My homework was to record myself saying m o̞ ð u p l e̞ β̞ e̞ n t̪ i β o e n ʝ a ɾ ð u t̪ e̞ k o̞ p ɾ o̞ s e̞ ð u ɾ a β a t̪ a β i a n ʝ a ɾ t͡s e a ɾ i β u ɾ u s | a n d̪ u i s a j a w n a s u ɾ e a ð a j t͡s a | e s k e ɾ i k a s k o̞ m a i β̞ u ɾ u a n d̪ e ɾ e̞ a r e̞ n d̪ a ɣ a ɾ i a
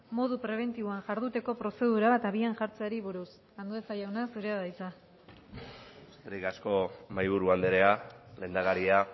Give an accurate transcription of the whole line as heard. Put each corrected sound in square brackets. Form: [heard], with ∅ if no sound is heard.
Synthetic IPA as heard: m o̞ ð u p [ɾ] e̞ β̞ e̞ n t̪ i β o [a] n ʝ a ɾ ð u t̪ e̞ k o̞ p ɾ o̞ s e̞ ð u ɾ a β a t̪ a β i a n ʝ a ɾ t͡s e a ɾ i β u ɾ u s | a n d̪ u [e] s a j a w n a s u ɾ e a ð a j t͡s a | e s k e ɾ i k a s k o̞ m a [j] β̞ u ɾ u a n d̪ e ɾ e̞ a [l] e̞ n d̪ a ɣ a ɾ i a